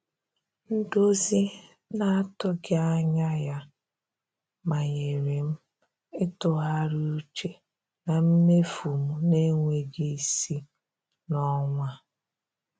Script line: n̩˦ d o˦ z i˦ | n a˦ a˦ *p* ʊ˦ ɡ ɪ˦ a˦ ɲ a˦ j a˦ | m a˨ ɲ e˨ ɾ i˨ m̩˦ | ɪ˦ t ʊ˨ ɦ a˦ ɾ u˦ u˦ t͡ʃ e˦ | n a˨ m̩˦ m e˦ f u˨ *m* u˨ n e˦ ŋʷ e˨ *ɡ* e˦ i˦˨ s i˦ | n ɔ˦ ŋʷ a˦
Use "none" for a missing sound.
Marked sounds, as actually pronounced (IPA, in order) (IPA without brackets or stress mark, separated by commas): t, m, ɡ